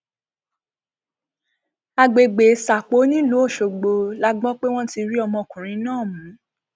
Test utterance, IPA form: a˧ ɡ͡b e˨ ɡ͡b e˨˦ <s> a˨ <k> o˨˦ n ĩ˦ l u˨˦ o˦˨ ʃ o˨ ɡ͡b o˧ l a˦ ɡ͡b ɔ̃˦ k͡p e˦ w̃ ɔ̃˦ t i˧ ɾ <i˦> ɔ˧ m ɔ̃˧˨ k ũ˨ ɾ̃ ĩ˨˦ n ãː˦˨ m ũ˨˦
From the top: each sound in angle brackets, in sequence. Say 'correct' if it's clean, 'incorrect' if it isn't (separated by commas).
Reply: correct, incorrect, correct